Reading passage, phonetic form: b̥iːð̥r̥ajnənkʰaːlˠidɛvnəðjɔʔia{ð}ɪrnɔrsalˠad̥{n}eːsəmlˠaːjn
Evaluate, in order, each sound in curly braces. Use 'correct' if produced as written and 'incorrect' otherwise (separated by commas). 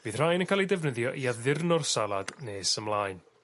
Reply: correct, correct